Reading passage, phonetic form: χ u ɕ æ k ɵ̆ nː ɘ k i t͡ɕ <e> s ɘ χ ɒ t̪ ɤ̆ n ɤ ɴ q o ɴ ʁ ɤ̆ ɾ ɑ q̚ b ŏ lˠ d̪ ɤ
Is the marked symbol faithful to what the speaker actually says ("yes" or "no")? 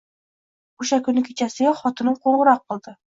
no